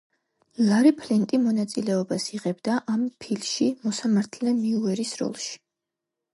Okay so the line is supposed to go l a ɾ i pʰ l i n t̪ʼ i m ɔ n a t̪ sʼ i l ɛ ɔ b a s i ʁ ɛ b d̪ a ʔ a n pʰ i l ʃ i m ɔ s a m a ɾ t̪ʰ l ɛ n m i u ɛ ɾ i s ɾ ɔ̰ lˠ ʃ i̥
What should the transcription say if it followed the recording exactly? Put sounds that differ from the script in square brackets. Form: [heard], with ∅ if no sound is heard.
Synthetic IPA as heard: l a ɾ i pʰ l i n t̪ʼ i m ɔ n a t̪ sʼ i l ɛ ɔ b a s i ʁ ɛ b d̪ a ʔ a [m] pʰ i l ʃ i m ɔ s a m a ɾ t̪ʰ l ɛ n m i u ɛ ɾ i s ɾ ɔ̰ lˠ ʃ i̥